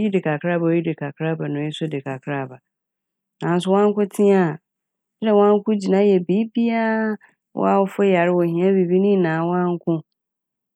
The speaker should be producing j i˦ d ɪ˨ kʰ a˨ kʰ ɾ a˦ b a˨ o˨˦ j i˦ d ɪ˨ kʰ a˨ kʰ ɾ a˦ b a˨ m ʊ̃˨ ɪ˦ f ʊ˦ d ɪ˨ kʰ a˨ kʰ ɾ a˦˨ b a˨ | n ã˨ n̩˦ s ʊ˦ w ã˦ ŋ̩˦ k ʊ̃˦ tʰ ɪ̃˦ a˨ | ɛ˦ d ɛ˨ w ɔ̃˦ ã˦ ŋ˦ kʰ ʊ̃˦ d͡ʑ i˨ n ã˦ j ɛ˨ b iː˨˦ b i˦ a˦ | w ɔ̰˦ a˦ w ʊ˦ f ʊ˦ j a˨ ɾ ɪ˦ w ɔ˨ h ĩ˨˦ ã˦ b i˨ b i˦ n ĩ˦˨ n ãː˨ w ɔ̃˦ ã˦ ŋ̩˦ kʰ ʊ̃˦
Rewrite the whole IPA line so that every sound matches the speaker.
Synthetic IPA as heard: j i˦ d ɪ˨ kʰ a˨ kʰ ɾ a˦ b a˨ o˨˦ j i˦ d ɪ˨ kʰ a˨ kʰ ɾ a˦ b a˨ n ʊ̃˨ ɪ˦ s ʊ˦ d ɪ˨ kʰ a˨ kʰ ɾ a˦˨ b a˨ | n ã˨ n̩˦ s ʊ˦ w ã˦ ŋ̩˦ k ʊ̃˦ tʰ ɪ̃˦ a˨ | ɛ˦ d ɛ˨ w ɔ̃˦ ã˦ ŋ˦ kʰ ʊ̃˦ d͡ʑ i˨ n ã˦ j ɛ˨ b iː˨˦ b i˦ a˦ | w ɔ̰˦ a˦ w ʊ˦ f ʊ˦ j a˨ ɾ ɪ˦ w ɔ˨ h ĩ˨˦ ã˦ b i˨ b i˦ n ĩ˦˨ n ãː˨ w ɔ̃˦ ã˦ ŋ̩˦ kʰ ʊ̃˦